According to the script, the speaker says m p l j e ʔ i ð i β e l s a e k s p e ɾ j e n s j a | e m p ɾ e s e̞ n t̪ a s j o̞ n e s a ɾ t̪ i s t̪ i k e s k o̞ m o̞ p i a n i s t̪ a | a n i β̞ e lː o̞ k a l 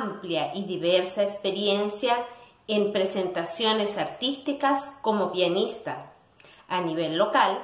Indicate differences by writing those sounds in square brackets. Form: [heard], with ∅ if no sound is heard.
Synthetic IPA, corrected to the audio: m p l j [a] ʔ i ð i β e [ɾ] s a e k s p e ɾ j e n s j a | e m p ɾ e s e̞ n t̪ a s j o̞ n e s a ɾ t̪ i s t̪ i k [a] s k o̞ m o̞ p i a n i s t̪ a | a n i β̞ e lː o̞ k a l